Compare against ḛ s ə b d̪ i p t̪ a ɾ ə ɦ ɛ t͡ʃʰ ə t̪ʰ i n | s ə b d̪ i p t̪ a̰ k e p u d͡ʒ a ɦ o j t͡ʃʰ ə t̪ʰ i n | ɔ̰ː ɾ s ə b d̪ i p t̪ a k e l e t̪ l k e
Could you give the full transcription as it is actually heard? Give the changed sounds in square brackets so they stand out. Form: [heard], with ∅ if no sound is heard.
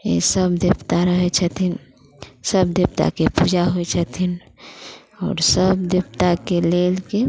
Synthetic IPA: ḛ s ə b d̪ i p t̪ a ɾ ə ɦ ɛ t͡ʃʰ ə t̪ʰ i n | s ə b d̪ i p t̪ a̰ k e p u d͡ʒ a ɦ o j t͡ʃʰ ə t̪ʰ i n | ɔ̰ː ɾ s ə b d̪ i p t̪ a k e l e [∅] l k e